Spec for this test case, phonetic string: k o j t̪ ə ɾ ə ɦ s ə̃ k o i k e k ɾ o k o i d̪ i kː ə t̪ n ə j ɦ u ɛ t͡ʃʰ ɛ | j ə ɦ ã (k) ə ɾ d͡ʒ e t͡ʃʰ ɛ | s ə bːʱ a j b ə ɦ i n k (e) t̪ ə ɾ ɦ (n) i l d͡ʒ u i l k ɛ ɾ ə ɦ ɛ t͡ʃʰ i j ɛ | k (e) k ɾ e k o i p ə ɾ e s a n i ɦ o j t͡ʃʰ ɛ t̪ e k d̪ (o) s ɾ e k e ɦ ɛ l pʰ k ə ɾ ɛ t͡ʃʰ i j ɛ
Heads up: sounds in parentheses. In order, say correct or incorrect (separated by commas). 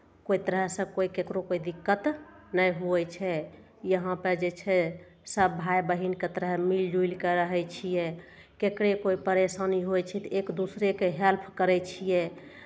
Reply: incorrect, correct, incorrect, correct, incorrect